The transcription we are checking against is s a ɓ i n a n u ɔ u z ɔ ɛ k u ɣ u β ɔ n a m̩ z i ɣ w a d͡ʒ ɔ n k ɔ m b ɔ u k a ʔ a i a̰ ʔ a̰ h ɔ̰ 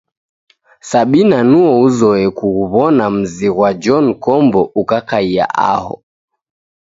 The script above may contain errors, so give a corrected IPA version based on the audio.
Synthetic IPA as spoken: s a ɓ i n a n u ɔ u z ɔ ɛ k u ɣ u β ɔ n a m̩ z i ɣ w a d͡ʒ ɔ n k ɔ m b ɔ u k a k a i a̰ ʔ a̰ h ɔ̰